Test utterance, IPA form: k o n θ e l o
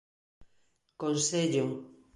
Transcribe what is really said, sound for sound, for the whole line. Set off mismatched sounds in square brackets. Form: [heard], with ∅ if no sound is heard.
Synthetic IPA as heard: k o n [s] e [ʎ] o